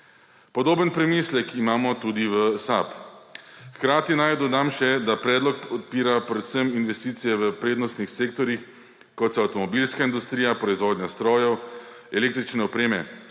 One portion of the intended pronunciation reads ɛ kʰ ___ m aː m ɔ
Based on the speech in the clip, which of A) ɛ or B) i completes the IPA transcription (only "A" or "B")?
B